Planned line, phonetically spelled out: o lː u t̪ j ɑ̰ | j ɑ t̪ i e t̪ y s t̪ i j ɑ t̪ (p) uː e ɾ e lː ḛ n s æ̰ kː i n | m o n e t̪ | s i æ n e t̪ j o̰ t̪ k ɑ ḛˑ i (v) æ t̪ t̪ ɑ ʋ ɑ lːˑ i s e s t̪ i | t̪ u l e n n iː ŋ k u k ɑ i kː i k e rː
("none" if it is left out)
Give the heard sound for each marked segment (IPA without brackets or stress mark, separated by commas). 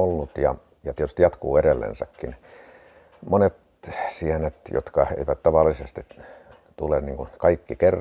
k, ʋ